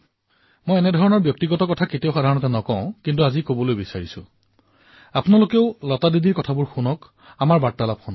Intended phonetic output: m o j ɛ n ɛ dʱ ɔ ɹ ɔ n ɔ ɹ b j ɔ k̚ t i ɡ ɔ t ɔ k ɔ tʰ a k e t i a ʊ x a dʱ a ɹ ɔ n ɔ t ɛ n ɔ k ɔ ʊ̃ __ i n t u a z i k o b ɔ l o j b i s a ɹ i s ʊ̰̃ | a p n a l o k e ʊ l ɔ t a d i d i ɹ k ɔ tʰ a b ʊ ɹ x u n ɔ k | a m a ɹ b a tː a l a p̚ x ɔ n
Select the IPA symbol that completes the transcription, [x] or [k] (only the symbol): k